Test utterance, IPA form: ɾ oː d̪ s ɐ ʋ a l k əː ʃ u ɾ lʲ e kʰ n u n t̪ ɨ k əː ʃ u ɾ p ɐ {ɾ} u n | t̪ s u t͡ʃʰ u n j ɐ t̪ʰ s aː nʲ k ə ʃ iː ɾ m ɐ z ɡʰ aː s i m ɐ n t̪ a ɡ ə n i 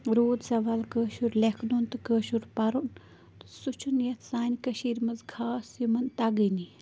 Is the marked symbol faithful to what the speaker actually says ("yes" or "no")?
yes